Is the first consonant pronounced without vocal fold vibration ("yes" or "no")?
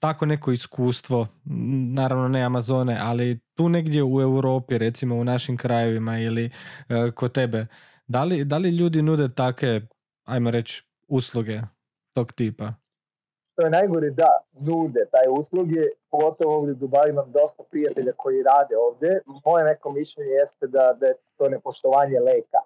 yes